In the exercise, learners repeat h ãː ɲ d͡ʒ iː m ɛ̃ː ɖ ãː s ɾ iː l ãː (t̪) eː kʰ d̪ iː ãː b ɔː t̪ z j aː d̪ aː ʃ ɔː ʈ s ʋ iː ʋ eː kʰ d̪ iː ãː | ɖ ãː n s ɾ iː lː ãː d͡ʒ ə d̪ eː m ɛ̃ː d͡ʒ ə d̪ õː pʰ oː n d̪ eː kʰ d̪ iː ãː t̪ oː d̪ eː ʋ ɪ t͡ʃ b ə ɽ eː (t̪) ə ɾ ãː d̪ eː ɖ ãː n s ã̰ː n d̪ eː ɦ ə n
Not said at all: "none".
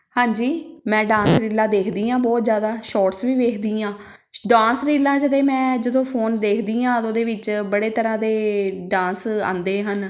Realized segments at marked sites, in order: d̪, t̪

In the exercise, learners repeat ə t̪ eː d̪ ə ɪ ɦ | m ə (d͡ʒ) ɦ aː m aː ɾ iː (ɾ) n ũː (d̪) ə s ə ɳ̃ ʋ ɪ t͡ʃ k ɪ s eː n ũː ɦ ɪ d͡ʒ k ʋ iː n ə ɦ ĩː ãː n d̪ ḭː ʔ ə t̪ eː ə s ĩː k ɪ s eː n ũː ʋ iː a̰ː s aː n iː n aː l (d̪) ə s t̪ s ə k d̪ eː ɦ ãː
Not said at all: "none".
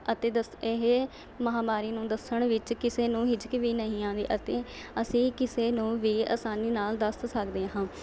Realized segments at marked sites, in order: none, none, d̪, d̪

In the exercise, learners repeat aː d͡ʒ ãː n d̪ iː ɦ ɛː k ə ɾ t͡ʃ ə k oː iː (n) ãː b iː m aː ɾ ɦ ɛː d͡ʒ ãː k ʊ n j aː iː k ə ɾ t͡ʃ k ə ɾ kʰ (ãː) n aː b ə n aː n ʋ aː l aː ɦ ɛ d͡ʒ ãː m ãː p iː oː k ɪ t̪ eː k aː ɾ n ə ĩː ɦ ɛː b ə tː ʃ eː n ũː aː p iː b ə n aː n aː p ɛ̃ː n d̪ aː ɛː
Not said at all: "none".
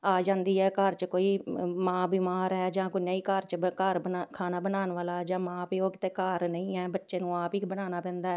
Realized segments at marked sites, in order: m, aː

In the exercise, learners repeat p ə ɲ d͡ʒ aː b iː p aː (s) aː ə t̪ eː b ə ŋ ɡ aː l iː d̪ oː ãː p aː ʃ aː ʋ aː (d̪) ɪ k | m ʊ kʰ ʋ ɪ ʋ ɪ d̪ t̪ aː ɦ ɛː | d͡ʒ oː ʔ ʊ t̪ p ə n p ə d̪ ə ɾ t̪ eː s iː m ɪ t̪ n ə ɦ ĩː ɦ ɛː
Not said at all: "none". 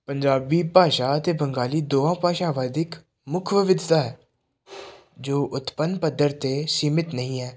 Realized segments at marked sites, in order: ʃ, d̪

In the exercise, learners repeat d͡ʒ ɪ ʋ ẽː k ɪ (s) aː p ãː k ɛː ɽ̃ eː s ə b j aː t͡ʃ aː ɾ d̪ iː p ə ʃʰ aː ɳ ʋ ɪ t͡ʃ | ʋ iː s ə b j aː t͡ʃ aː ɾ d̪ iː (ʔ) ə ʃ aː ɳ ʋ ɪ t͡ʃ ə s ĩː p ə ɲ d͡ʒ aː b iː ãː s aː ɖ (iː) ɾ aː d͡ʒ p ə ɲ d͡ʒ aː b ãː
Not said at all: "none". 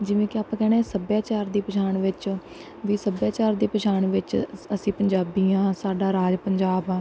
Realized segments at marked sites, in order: none, p, aː

